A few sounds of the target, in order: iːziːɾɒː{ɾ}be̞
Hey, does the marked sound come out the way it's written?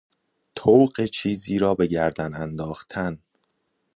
no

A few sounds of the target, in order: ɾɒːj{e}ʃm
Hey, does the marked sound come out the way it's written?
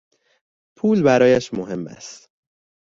no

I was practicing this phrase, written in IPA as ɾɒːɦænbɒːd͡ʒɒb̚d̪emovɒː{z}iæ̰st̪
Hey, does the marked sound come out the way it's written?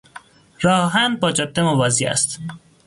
yes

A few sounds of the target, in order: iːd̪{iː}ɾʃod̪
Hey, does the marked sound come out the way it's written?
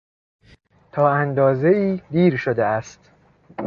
yes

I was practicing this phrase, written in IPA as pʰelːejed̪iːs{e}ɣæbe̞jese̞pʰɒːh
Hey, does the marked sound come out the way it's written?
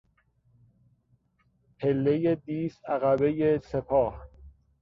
no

